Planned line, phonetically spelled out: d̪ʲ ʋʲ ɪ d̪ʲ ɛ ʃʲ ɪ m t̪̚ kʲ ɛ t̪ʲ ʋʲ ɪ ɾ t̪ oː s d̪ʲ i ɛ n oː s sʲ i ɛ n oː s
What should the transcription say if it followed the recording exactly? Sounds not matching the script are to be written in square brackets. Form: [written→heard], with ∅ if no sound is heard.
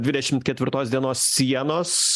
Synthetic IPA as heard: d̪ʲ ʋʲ ɪ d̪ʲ ɛ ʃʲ ɪ m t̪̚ kʲ ɛ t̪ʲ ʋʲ ɪ ɾ t̪ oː s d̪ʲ i ɛ n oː s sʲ i ɛ n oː s